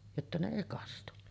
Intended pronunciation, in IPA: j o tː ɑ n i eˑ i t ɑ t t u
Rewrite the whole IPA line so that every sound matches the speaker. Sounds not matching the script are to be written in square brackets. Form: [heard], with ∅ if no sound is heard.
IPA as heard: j o tː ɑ n [e] eˑ i [k] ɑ [s] t u